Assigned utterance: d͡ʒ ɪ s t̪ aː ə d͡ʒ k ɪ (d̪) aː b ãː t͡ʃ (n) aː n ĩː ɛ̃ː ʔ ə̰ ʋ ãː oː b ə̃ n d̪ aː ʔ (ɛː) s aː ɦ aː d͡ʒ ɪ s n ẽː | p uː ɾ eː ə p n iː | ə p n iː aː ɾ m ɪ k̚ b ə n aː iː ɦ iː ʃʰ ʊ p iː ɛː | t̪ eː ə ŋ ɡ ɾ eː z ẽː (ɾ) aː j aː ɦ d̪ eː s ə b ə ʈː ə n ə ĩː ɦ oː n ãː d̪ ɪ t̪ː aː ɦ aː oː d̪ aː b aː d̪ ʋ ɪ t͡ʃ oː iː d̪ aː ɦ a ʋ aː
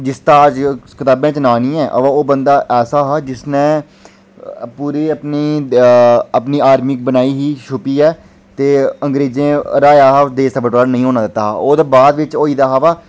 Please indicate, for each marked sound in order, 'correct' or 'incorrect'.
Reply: incorrect: t̪, correct, correct, correct

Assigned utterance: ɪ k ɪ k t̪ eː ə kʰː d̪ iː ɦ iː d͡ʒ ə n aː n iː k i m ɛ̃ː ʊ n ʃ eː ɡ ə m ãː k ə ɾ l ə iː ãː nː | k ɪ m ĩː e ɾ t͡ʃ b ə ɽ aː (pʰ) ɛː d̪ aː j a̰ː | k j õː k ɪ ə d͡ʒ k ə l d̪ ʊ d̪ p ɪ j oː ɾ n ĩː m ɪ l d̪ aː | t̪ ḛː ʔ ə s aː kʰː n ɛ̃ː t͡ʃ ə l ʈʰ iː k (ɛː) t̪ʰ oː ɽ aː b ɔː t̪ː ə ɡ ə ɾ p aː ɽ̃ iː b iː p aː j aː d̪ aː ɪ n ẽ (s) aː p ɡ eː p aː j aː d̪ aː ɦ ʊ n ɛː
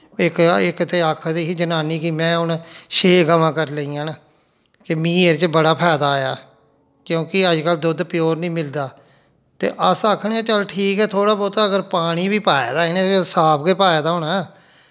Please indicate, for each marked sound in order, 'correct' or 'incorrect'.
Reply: correct, correct, correct

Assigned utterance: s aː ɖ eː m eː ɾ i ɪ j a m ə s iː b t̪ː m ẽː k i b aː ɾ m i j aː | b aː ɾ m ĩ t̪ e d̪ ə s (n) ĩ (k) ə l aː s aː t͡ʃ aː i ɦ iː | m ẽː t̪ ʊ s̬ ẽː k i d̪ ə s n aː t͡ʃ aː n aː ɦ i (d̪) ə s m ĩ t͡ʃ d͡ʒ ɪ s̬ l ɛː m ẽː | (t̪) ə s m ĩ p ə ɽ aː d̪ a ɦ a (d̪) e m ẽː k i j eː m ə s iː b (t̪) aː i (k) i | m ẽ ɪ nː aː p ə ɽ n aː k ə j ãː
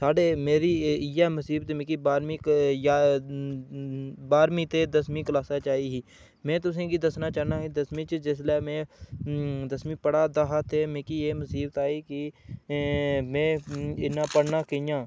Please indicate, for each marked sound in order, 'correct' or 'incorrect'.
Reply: incorrect: m, correct, correct, incorrect: d̪, incorrect: t̪, correct, correct

